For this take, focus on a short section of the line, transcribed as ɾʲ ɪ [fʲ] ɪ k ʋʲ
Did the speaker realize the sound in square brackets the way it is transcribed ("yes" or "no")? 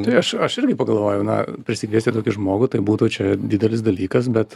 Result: no